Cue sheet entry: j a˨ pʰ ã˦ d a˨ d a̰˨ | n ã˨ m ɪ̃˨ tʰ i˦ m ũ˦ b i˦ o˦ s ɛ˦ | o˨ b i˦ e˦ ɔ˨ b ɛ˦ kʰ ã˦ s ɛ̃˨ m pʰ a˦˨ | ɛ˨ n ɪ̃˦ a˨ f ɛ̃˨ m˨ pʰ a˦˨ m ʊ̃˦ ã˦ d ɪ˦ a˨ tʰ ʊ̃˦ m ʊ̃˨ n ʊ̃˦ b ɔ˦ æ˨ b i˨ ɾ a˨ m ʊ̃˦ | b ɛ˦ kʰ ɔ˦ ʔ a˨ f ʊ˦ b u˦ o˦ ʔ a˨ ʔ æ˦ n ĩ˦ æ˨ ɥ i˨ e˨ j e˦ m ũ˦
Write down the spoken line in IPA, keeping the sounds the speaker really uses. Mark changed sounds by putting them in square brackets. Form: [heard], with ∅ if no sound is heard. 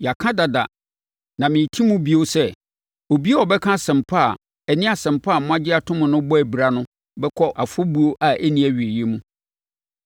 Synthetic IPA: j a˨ [kʰ] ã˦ d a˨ d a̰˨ | n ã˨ m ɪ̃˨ tʰ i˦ m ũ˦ b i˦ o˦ s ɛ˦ | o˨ b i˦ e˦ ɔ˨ b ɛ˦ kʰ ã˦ s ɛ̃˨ m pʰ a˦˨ | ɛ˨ n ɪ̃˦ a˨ [s] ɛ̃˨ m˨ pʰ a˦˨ m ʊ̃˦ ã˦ [d͡ʑ] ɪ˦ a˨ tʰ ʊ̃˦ m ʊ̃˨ n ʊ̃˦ b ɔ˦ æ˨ b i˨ ɾ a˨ [n] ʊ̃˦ | b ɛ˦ kʰ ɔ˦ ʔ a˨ f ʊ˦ b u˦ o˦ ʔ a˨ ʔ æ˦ n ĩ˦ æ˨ ɥ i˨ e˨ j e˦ m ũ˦